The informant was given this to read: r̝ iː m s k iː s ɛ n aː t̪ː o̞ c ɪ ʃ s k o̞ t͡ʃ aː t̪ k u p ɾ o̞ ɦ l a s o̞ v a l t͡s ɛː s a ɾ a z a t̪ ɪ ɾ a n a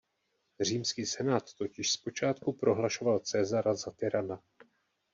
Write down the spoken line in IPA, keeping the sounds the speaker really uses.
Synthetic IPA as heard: r̝ iː m s k iː s ɛ n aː t̪ː o̞ c ɪ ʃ s p o̞ t͡ʃ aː t̪ k u p ɾ o̞ ɦ l a ʃ o̞ v a l t͡s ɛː z a ɾ a z a t̪ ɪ ɾ a n a